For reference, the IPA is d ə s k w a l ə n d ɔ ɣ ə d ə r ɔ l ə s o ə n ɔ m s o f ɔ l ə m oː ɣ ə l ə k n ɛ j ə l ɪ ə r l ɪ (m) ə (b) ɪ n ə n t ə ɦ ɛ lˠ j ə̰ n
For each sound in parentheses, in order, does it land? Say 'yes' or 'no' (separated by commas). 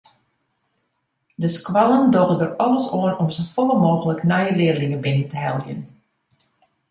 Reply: no, yes